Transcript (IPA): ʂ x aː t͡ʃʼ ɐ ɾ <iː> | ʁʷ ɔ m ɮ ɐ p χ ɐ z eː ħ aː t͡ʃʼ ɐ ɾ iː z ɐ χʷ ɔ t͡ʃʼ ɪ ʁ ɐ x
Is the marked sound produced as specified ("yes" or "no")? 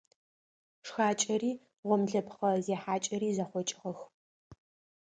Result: yes